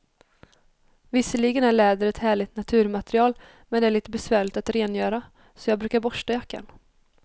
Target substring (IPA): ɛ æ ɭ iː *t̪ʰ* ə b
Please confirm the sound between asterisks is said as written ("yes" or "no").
no